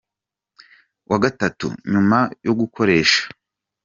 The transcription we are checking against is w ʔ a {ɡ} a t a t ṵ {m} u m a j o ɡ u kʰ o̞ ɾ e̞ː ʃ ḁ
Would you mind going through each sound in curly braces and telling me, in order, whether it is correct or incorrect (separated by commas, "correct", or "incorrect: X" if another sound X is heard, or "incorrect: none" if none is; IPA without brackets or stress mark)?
correct, incorrect: ɲ